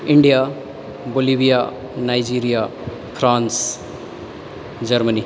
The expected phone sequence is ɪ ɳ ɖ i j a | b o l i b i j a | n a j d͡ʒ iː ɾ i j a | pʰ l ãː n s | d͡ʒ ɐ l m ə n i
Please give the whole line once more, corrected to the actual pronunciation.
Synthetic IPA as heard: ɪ ɳ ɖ i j a | b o l i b i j a | n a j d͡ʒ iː ɾ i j a | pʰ ɾ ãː n s | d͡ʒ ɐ ɾ m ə n i